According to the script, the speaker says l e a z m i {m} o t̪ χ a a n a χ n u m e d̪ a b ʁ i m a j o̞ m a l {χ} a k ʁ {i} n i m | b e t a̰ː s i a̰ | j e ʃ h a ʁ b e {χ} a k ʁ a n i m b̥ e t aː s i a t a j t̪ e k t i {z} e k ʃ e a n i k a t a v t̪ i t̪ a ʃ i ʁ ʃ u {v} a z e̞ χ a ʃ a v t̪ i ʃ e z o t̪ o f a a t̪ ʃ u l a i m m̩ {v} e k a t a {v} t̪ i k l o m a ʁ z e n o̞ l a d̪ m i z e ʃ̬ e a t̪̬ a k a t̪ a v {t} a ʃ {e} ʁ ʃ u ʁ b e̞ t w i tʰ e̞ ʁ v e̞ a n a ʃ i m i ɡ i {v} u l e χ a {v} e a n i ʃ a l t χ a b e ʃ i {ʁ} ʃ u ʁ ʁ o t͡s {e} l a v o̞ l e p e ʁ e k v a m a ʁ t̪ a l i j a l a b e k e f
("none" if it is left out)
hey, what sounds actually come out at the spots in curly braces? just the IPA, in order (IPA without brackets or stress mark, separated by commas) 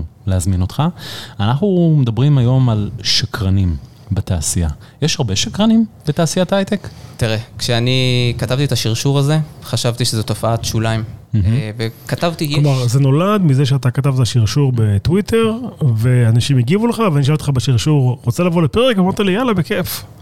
n, ʃ, a, ʃ, ʁ, ʁ, v, v, t, i, v, v, ʁ, e